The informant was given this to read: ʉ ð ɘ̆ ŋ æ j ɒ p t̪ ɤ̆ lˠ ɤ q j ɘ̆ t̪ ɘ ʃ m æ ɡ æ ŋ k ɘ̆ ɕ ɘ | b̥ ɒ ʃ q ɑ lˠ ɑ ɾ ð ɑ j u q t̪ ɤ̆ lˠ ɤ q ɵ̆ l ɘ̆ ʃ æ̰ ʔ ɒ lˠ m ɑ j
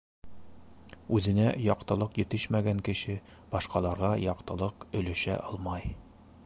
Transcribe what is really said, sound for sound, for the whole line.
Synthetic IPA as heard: ʉ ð ɘ̆ n æ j ɒ q t̪ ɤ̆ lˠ ɤ q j ɘ̆ t̪ ɘ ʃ m æ ɡ æ ŋ k ɘ̆ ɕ ɘ | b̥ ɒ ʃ q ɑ lˠ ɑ ɾ ʁ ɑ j ɒ q t̪ ɤ̆ lˠ ɤ q ɵ̆ l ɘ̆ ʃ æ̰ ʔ ɒ lˠ m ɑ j

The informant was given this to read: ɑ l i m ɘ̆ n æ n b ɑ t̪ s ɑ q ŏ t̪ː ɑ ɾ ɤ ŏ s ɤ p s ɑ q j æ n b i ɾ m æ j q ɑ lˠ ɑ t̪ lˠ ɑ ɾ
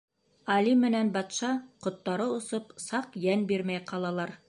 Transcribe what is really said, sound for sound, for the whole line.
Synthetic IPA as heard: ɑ l i m ɘ̆ n æ n b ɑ t̪ ʃ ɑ q ŏ t̪ː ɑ ɾ ɤ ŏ s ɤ p s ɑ q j æ n b i ɾ m æ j q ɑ lˠ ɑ lˠ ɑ ɾ

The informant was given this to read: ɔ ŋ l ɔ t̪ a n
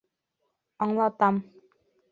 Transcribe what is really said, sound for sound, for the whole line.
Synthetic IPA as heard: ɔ ŋ l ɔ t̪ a m

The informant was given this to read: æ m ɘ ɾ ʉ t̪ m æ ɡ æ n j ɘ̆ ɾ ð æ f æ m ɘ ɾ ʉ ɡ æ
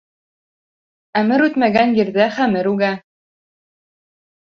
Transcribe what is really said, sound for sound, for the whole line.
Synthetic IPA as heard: æ m ɘ ɾ ʉ t̪ m æ ɡ æ n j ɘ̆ ɾ ð æ χ æ m ɘ ɾ ʉ ɡ æ

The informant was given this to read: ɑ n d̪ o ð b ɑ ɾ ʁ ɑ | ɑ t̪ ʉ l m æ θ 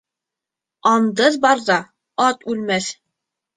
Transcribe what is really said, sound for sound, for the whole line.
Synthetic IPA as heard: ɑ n d̪ ɤ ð b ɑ ɾ ð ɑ | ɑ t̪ ʉ l m æ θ

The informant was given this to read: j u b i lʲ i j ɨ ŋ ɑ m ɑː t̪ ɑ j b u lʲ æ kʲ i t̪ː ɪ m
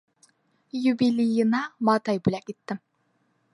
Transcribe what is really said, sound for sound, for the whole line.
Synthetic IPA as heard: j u b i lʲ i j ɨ n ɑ m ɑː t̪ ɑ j b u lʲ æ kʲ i t̪ː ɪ m

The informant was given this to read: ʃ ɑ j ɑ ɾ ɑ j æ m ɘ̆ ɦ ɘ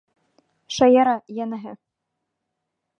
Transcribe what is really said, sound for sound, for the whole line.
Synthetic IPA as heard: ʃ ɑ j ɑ ɾ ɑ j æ n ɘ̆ ɦ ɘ

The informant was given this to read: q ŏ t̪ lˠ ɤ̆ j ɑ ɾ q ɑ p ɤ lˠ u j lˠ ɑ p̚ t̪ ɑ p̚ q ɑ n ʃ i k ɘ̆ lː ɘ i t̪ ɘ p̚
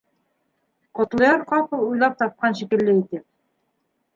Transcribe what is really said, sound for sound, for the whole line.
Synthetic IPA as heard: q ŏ t̪ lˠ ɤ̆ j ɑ ɾ q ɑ p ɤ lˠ u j lˠ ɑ p̚ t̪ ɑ p̚ q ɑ n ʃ i k ɘ̆ lː ɘ i t̪ ɘ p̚

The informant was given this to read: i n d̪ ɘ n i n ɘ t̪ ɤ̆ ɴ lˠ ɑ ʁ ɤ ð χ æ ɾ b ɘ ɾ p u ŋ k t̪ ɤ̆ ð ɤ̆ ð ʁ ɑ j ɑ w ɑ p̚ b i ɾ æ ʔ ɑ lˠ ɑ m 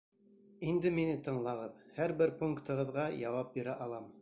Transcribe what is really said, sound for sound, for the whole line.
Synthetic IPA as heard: i n d̪ ɘ m i n ɘ t̪ ɤ̆ ɴ lˠ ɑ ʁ ɤ ð h æ ɾ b ɘ ɾ p u ŋ k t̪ ɤ̆ ʁ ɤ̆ ð ʁ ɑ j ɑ w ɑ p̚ b i ɾ æ ʔ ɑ lˠ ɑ m

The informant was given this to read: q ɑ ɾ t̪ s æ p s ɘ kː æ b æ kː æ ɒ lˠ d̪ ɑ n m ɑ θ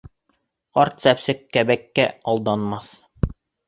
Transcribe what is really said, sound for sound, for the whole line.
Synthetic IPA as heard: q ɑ ɾ t̪ s æ p s ɘ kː æ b æ kː æ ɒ lˠ d̪ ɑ n m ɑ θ

